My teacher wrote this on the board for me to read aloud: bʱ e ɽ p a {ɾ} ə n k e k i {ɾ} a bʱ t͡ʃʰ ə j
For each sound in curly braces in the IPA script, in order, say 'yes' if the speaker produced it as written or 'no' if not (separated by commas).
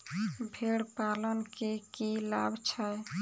no, no